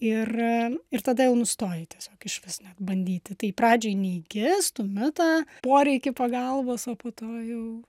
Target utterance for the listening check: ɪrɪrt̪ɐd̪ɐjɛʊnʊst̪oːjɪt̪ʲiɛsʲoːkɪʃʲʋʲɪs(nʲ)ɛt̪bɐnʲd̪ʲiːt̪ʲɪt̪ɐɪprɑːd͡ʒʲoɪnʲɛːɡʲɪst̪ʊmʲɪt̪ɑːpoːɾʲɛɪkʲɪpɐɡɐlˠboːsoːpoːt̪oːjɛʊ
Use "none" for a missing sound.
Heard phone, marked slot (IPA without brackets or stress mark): nʲ